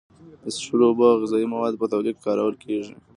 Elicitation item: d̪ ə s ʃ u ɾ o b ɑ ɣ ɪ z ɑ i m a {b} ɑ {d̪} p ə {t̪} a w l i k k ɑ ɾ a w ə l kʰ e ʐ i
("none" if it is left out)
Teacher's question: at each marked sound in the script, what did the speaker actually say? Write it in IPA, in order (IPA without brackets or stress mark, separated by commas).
w, d̪, t̪